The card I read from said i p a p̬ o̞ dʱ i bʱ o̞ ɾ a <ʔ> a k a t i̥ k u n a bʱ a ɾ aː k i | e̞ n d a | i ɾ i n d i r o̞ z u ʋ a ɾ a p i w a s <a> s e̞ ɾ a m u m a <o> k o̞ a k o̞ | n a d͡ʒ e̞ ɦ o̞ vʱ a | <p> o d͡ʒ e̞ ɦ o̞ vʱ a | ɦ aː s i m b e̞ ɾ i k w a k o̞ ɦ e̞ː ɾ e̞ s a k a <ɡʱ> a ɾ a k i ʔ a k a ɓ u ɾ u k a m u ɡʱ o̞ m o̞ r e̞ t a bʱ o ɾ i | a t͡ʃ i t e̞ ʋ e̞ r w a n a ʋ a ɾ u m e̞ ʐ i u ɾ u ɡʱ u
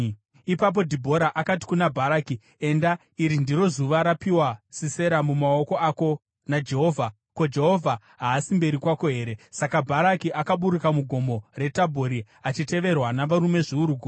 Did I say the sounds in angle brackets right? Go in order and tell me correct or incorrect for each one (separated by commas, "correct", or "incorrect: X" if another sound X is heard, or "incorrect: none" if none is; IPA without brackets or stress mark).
correct, incorrect: i, correct, incorrect: k, incorrect: bʱ